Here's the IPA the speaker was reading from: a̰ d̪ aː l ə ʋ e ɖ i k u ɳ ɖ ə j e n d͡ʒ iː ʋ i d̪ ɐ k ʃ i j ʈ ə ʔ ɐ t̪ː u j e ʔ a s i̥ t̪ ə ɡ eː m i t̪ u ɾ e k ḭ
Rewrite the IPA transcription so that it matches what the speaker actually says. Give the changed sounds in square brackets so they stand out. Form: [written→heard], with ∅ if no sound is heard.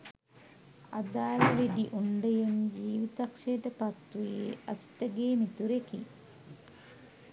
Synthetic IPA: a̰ d̪ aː l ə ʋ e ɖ i [k→ʔ] u ɳ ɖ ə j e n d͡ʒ iː ʋ i [d̪→t̪] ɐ k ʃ [i→e] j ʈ ə [ʔ→p] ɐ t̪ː u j e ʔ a s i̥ t̪ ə ɡ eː m i t̪ u ɾ e k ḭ